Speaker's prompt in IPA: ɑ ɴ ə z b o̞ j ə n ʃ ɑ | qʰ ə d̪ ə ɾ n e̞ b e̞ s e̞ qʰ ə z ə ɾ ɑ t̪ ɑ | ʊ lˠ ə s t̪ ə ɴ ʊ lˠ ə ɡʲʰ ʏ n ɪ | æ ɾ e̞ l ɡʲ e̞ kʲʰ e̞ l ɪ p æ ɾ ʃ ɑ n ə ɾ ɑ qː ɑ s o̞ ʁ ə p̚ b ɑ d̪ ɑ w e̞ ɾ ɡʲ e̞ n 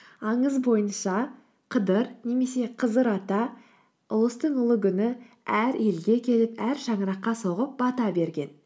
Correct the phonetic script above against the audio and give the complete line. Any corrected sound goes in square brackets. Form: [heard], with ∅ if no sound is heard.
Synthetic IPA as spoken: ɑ ɴ ə z b o̞ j ə n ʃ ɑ | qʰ ə d̪ ə ɾ n e̞ [m] e̞ s e̞ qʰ ə z ə ɾ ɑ t̪ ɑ | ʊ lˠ ə s t̪ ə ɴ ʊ lˠ ə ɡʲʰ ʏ n ɪ | æ ɾ e̞ l ɡʲ e̞ kʲʰ e̞ l ɪ p æ ɾ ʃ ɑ [ɴ] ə ɾ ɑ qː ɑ s o̞ ʁ ə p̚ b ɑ [t̪] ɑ [b] e̞ ɾ ɡʲ e̞ n

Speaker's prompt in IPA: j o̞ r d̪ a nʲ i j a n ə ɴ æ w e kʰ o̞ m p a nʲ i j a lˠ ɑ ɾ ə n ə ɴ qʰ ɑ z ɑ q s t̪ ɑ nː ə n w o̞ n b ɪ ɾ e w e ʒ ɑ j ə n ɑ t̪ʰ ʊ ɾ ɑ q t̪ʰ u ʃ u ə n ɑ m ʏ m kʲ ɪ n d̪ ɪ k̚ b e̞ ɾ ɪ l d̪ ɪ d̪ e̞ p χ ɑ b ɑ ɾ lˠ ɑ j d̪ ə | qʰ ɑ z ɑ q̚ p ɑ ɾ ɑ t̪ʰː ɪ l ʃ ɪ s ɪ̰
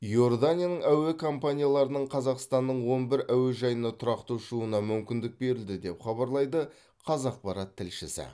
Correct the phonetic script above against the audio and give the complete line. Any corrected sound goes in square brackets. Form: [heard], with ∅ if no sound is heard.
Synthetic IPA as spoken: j o̞ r d̪ a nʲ i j a n ə ɴ æ w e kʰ o̞ m p a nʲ i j a lˠ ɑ ɾ ə n ə ɴ qʰ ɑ z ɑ q s t̪ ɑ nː ə [ɴ] w o̞ n b ɪ ɾ [æ] w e ʒ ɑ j ə n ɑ t̪ʰ ʊ ɾ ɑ q [t̪] u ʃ u ə n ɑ m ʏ m kʲ ɪ n d̪ ɪ k̚ b e̞ ɾ ɪ l d̪ ɪ d̪ e̞ p χ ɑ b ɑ ɾ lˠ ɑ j d̪ ə | qʰ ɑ z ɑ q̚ p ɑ ɾ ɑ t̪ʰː ɪ l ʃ ɪ s ɪ̰

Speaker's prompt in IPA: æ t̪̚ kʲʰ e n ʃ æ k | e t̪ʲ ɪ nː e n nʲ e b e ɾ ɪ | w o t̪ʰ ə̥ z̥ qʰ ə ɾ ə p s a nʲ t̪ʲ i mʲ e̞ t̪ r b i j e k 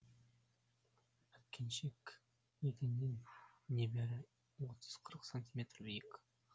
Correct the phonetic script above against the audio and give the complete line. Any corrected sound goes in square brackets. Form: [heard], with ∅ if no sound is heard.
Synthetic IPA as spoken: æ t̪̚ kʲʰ e n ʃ [e] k | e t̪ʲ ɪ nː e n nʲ e b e ɾ ɪ | w o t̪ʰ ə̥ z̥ qʰ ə ɾ ə [q] s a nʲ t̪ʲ i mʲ e̞ t̪ r b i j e k

